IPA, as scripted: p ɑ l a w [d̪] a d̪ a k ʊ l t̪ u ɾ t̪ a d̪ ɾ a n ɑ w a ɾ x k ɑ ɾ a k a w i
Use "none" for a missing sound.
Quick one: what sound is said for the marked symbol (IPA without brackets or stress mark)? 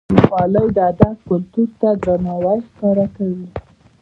d̪